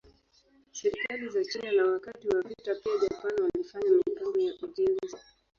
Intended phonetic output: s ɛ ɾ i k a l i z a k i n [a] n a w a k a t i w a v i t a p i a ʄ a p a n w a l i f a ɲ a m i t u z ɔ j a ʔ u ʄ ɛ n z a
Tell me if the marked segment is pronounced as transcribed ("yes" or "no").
yes